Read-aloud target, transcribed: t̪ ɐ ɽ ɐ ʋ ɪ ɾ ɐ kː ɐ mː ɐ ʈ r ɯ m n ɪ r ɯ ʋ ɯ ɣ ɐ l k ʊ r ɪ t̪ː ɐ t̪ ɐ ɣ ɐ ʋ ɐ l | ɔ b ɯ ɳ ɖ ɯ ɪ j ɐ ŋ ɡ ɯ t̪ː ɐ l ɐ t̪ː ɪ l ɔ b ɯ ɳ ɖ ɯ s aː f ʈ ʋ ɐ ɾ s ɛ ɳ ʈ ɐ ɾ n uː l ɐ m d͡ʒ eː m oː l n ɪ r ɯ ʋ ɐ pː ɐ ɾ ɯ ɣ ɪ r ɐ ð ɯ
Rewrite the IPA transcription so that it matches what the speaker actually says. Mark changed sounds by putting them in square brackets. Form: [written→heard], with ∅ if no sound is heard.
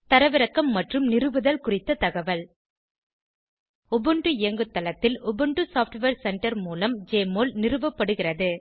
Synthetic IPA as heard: t̪ ɐ [ɽ→ɾ] ɐ ʋ ɪ ɾ ɐ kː ɐ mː ɐ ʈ r ɯ m n ɪ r ɯ ʋ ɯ [ɣ→ð] ɐ l k ʊ r ɪ t̪ː ɐ t̪ ɐ ɣ ɐ ʋ ɐ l | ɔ b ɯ ɳ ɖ ɯ ɪ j ɐ ŋ ɡ ɯ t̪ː ɐ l ɐ t̪ː ɪ l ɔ b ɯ ɳ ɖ ɯ s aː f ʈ ʋ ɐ ɾ s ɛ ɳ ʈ ɐ ɾ [n→m] uː l ɐ m d͡ʒ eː m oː l n ɪ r ɯ ʋ ɐ pː ɐ [ɾ→ɽ] ɯ ɣ ɪ r ɐ ð ɯ